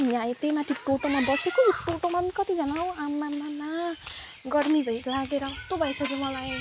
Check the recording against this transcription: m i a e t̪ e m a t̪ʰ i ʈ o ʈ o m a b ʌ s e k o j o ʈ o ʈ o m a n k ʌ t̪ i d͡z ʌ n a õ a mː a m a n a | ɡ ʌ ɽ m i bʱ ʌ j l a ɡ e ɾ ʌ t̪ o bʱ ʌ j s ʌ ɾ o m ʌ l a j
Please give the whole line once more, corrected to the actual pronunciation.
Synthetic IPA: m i a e t̪ e m a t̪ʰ i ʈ o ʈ o m a b ʌ s e k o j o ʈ o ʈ o m a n k ʌ t̪ i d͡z ʌ n a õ a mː a m a n a | ɡ ʌ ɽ m i bʱ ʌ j l a ɡ e ɾ ʌ t̪ o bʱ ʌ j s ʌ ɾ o m ʌ l a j